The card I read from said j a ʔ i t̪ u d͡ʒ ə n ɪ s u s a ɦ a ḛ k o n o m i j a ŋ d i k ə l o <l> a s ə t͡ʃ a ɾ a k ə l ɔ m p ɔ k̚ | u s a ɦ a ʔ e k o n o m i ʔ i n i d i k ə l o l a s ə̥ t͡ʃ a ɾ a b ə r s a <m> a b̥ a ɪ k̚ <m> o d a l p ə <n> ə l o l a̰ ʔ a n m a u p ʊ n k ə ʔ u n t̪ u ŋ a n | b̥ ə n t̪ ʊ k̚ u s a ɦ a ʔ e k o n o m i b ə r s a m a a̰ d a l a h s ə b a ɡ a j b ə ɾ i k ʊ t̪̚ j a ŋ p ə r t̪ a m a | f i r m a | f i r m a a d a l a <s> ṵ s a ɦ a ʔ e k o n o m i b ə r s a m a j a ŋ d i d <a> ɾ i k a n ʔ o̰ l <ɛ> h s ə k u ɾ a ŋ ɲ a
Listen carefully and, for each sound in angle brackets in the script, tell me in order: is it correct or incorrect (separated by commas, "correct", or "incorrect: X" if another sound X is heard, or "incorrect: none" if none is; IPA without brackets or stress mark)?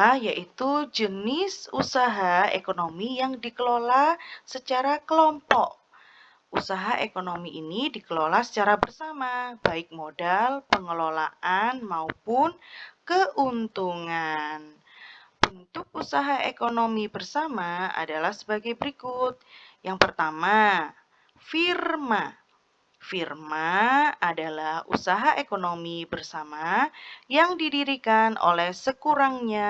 correct, correct, correct, incorrect: ŋ, incorrect: h, incorrect: i, correct